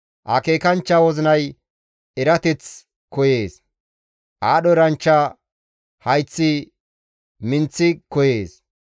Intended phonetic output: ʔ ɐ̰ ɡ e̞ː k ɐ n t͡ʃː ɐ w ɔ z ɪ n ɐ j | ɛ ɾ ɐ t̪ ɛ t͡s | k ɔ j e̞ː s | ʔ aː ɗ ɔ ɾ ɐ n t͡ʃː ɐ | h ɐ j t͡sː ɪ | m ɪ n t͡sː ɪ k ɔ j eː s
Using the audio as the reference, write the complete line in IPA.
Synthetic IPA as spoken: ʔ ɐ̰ k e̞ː k ɐ n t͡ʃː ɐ w ɔ z ɪ n ɐ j | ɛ ɾ ɐ t̪ ɛ t͡s | k ɔ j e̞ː s | ʔ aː ɗ ɔ ɾ ɐ n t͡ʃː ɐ | h ɐ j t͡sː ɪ | m ɪ n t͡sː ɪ k ɔ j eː s